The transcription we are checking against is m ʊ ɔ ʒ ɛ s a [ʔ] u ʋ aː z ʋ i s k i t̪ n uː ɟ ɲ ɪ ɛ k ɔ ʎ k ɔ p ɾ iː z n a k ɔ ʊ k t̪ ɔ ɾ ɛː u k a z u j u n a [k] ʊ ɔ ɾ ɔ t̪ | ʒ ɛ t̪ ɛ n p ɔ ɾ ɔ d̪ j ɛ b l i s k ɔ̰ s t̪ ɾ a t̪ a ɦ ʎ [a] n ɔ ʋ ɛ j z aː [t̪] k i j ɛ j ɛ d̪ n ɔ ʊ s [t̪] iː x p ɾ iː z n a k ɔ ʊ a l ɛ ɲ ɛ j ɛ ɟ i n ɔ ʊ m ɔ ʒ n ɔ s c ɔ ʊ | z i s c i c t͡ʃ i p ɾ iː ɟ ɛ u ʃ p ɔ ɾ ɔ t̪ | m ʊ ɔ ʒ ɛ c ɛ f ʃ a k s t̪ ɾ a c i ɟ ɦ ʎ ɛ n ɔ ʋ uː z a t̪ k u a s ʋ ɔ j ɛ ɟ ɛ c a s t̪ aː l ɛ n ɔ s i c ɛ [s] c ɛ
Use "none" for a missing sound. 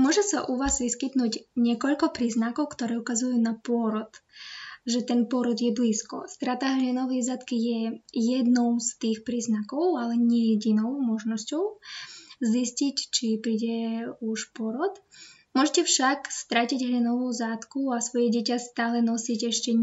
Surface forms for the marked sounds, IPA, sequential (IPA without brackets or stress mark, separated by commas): ʔ, p, ɛ, t̪, t̪, ʃ